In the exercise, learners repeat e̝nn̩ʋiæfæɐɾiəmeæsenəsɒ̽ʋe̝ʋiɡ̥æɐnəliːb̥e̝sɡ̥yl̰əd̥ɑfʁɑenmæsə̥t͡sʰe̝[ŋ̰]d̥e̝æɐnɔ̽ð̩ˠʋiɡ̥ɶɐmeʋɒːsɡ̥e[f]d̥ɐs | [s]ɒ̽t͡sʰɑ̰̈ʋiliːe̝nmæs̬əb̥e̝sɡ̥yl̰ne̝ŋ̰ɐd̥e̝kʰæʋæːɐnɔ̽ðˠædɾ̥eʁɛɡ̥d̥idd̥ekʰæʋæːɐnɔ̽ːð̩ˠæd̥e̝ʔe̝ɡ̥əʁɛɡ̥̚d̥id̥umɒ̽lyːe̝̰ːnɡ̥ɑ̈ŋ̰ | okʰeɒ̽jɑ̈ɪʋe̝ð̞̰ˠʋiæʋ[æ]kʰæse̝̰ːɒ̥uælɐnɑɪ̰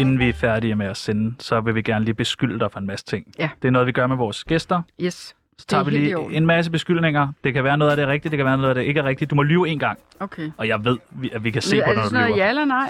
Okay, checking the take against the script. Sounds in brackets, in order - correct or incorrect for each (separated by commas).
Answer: correct, incorrect, correct, incorrect